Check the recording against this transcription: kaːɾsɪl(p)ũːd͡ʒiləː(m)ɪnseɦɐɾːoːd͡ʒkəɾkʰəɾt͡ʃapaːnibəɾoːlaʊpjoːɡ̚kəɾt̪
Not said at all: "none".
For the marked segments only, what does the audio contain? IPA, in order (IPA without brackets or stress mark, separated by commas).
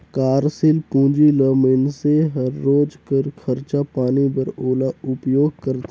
p, m